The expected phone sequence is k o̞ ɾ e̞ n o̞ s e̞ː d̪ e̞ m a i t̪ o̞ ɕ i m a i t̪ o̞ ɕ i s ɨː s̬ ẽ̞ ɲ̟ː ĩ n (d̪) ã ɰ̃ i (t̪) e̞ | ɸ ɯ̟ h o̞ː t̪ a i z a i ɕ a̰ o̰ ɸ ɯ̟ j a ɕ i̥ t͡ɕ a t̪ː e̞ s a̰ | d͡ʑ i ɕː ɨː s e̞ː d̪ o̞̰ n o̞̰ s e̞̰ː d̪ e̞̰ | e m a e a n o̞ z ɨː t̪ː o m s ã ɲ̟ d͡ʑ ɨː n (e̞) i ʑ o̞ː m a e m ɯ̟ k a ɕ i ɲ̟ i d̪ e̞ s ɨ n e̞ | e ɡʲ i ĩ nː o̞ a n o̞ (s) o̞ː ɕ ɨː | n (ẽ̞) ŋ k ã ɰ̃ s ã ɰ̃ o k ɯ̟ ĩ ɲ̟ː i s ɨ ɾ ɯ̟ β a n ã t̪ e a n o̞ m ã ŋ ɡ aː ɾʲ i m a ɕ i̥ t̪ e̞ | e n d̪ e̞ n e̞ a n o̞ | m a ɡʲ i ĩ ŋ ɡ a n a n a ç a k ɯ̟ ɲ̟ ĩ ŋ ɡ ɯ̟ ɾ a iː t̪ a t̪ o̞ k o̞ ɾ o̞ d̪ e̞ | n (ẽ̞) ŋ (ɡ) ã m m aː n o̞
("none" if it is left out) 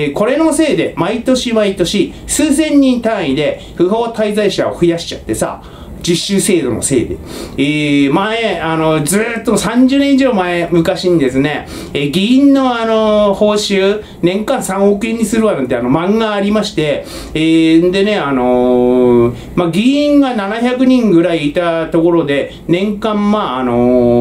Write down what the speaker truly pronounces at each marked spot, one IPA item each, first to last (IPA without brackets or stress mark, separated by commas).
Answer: t̪, d̪, ẽ̞, h, ẽ̞, ẽ̞, k